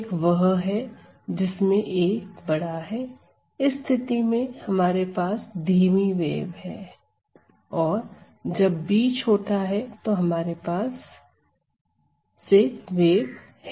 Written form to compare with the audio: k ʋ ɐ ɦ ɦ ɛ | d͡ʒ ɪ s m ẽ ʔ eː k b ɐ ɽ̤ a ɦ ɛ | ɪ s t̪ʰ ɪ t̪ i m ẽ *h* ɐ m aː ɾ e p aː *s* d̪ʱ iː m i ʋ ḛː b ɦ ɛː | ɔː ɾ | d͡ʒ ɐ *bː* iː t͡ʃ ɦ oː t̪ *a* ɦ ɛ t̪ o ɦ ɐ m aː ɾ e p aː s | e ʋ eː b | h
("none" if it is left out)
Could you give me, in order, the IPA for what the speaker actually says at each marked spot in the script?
h, s, bː, a

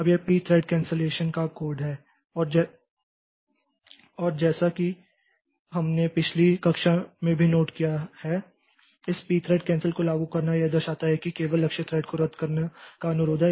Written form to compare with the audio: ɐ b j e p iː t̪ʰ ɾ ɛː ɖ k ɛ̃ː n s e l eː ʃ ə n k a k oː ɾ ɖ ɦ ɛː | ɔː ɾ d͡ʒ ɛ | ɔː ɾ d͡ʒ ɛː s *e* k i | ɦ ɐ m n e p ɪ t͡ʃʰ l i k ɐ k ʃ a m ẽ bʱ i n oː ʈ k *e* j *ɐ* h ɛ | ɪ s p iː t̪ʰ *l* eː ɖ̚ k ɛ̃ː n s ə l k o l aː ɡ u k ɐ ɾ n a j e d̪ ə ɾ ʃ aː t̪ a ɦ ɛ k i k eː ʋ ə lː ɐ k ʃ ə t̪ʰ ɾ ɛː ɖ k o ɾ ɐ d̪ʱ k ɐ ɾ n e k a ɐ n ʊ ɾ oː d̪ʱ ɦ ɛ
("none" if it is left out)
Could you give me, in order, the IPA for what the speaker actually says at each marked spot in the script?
a, i, a, ɾ

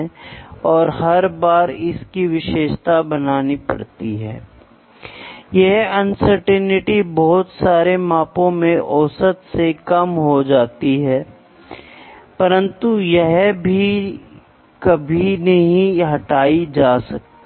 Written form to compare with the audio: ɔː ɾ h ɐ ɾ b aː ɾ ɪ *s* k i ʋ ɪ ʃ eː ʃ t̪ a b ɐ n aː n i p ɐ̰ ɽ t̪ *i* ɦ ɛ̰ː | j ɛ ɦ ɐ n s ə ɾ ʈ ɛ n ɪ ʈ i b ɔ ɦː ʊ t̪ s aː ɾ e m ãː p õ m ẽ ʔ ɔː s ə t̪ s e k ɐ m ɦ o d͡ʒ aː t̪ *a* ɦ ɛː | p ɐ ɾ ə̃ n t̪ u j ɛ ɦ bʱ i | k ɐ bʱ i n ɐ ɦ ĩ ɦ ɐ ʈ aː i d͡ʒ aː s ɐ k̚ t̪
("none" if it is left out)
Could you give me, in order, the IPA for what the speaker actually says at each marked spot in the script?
s, i, i

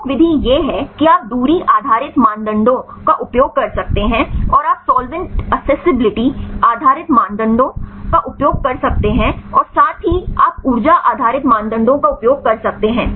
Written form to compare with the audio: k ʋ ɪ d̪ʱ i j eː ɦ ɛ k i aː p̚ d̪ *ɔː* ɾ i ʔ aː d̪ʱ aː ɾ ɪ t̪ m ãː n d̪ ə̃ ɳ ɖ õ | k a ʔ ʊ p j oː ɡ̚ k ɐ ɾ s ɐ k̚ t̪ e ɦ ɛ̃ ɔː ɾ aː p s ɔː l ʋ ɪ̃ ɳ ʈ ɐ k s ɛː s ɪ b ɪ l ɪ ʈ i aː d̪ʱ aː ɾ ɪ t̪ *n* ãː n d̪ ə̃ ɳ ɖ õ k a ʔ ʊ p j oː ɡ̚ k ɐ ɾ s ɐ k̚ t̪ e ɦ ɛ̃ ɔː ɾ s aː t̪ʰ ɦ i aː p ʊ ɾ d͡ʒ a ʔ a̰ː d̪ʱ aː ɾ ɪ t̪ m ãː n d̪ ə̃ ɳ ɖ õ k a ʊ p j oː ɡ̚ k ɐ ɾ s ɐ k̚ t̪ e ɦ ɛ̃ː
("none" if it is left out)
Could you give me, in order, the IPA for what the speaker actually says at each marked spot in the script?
uː, m

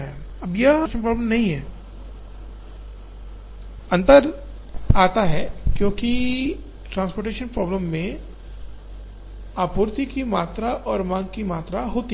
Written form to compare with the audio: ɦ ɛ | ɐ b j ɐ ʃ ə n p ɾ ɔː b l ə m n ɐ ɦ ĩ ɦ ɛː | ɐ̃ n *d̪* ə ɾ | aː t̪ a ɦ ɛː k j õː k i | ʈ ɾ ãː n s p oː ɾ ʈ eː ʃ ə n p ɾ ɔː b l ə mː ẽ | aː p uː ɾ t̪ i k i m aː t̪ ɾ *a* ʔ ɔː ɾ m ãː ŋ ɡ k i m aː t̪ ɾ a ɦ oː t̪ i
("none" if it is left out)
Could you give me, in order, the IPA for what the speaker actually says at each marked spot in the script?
t̪, a

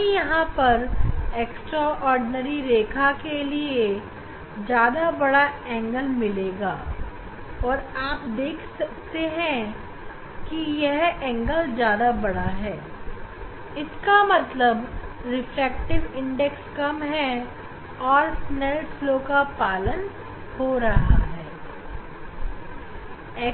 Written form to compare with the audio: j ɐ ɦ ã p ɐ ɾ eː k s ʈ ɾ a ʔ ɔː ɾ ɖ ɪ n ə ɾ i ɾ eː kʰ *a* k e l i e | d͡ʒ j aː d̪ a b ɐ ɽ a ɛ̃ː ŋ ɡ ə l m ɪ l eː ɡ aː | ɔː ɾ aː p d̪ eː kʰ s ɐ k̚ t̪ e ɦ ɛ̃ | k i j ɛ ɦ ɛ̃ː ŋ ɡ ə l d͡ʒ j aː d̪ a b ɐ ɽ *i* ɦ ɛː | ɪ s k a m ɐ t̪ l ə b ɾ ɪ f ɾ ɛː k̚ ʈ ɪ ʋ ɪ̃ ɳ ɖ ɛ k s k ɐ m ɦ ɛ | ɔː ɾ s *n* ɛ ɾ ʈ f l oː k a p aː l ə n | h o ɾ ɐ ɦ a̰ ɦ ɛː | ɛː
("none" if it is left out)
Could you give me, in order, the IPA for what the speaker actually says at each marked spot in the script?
a, a, n

